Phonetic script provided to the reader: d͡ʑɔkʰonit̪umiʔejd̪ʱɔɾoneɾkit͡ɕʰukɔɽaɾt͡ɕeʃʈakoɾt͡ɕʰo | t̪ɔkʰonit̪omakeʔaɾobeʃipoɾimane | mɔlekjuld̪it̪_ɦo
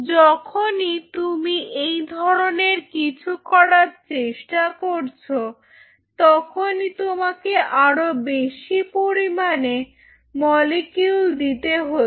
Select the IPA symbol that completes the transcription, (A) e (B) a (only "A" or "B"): A